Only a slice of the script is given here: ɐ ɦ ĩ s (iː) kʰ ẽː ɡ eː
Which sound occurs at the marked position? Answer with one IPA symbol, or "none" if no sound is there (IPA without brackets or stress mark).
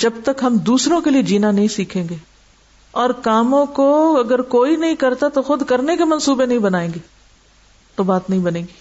iː